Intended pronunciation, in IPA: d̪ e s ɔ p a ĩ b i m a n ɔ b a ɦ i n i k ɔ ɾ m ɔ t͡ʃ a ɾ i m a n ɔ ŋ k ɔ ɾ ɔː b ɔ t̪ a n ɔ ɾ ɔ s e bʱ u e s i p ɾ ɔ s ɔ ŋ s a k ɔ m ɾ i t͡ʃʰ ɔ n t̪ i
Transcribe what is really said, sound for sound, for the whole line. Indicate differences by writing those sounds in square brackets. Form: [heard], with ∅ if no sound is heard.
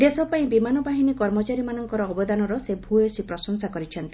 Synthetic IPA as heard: d̪ e s ɔ p a ĩ b i m a n ɔ b a ɦ i n i k ɔ ɾ m ɔ t͡ʃ a ɾ i m a n ɔ ŋ k ɔ ɾ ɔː b ɔ [d̪] a n ɔ ɾ ɔ s e bʱ u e s i p ɾ ɔ s ɔ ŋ s a k ɔ [∅] ɾ i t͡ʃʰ ɔ n t̪ i